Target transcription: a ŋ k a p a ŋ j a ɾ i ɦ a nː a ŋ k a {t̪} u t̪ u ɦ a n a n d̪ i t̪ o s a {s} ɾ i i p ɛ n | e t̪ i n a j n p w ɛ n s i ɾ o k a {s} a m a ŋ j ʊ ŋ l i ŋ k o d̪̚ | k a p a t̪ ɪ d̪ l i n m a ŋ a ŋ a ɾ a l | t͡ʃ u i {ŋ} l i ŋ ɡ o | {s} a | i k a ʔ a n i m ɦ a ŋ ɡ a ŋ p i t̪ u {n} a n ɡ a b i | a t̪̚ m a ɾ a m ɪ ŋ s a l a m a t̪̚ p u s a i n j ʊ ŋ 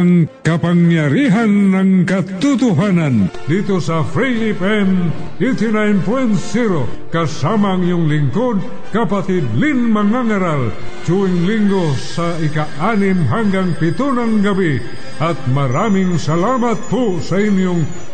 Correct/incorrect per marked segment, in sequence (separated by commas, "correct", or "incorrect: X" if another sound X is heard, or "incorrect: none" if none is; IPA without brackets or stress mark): correct, incorrect: f, correct, correct, correct, correct